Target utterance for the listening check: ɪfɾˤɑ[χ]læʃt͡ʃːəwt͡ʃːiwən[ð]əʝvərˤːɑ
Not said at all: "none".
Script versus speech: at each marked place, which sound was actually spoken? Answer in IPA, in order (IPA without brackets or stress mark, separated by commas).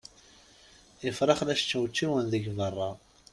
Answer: χ, ð